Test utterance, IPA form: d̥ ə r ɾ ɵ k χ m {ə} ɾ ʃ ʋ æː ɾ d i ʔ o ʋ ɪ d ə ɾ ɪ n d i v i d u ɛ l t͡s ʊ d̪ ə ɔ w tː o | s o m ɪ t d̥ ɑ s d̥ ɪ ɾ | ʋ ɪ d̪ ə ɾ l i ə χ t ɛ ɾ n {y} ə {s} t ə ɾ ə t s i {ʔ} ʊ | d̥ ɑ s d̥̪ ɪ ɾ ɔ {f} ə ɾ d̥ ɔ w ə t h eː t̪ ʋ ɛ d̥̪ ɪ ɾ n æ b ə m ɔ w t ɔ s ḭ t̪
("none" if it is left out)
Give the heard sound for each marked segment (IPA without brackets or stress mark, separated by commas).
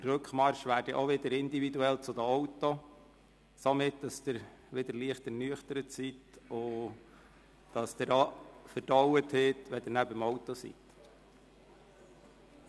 ɑ, y, χ, t, f